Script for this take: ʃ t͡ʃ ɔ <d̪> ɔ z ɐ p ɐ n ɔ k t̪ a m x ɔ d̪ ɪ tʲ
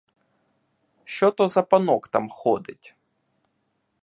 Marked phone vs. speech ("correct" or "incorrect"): incorrect